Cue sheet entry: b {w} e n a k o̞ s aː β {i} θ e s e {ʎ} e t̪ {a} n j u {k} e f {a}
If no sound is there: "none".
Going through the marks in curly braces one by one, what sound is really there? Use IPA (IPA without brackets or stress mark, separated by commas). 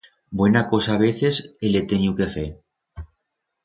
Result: w, e, l, e, k, e